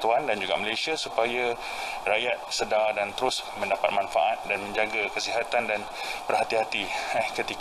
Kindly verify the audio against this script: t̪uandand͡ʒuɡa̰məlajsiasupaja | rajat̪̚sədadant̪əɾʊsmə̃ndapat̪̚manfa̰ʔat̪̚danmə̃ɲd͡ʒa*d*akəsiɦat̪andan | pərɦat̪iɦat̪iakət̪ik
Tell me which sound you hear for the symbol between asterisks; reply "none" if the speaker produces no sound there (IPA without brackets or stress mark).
ɡ